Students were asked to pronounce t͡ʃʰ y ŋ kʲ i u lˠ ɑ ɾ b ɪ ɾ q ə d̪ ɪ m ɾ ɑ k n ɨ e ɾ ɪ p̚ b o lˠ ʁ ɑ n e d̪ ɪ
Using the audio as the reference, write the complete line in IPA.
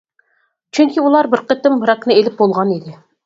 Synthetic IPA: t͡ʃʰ y ŋ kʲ i u lˠ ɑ ɾ b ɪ ɾ q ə t̪ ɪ m ɾ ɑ k n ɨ e l ɪ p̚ b o lˠ ʁ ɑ n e d̪ ɪ

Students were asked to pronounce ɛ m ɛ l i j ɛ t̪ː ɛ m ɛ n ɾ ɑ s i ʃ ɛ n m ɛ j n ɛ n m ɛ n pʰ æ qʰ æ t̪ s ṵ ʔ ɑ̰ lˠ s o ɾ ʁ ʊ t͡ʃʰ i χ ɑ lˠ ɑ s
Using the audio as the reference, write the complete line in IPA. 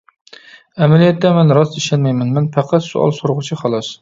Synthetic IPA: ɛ m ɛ l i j ɛ t̪ː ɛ m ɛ n ɾ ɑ s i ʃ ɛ n m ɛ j m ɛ n m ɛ n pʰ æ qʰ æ t̪ s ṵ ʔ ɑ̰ lˠ s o ɾ ʁ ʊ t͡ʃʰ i χ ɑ lˠ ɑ s

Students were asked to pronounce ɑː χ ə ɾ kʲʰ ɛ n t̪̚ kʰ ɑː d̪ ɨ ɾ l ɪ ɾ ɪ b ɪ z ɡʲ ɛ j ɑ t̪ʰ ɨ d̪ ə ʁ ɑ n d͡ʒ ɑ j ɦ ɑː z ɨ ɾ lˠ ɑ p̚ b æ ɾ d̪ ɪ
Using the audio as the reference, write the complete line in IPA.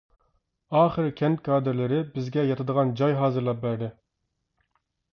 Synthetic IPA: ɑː χ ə ɾ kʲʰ ɛ n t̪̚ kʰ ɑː d̪ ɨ ɾ l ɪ ɾ ɪ b ɪ z ɡʲ ɛ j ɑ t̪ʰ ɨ d̪ ə ʁ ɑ n d͡ʒ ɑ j ɦ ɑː z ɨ ɾ lˠ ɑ p̚ b æ ɾ d̪ ɪ

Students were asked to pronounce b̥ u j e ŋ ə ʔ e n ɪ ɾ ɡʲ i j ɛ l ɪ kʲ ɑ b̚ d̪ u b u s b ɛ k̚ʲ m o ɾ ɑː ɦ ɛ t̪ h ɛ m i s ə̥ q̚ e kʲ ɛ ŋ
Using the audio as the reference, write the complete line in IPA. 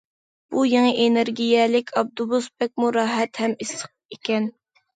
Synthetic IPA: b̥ u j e ŋ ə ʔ e n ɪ ɾ ɡʲ i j ɛ l ɪ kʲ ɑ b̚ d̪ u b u s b ɛ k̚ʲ m u ɾ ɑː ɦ ɛ t̪ h ɛ m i s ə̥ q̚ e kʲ ɛ n

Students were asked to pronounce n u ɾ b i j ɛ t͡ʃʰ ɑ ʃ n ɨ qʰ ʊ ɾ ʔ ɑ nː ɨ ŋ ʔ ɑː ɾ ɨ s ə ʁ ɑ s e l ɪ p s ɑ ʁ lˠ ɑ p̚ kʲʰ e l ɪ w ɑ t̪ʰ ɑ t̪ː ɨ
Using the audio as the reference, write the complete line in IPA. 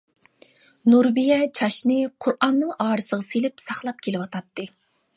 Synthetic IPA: n u ɾ b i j ɛ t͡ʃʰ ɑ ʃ n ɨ qʰ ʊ ɾ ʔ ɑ nː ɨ ŋ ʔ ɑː ɾ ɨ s ə ʁ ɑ s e l ɪ p s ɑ χ lˠ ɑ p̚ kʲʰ e l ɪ w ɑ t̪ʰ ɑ t̪ː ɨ

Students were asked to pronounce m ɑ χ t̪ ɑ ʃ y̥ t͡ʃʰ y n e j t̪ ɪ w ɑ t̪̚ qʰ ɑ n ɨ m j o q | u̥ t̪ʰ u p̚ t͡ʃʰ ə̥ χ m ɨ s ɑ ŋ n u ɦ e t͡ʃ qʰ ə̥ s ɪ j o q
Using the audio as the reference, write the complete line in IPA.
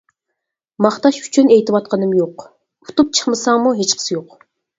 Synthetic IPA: m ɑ χ t̪ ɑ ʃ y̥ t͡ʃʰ y n e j t̪ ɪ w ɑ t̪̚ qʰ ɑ n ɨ m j o q | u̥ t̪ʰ u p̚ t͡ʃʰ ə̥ χ m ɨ s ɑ ŋ m u ɦ e t͡ʃ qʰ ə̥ s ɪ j o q

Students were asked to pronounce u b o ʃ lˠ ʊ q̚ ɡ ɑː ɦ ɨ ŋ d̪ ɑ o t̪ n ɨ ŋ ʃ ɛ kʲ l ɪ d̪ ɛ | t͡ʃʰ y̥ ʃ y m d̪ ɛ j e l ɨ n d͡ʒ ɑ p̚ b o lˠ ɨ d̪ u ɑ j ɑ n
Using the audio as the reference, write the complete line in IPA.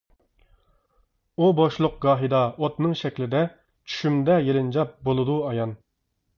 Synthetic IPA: u b o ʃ lˠ ʊ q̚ ɡ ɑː ɦ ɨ d̪ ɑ o t̪ n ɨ ŋ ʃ ɛ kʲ l ɪ d̪ ɛ | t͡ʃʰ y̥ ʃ y m d̪ ɛ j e l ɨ n d͡ʒ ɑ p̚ b o lˠ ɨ d̪ u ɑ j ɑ n

